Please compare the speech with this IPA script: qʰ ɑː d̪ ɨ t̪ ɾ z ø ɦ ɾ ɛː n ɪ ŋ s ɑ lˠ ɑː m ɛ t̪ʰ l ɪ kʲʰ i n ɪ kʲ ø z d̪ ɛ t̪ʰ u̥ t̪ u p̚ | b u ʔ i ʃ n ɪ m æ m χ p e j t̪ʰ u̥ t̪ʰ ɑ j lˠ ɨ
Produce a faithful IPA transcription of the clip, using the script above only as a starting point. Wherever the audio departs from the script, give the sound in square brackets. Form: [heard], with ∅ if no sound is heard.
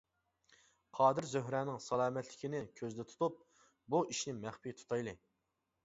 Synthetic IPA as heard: qʰ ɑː d̪ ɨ [∅] ɾ z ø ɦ ɾ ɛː n ɪ ŋ s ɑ lˠ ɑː m ɛ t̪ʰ l ɪ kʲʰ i n ɪ [kʲʰ] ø z d̪ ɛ t̪ʰ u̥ t̪ u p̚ | b u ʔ i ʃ n ɪ m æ [∅] χ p [i] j t̪ʰ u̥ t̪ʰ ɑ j lˠ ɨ